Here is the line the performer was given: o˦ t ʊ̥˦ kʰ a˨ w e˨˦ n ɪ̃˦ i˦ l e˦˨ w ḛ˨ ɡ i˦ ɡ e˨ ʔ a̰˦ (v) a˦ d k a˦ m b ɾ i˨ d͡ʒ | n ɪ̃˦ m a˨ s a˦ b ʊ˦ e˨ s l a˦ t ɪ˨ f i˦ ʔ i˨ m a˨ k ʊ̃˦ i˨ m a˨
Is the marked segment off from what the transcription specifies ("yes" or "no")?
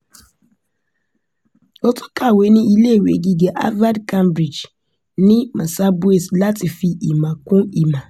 no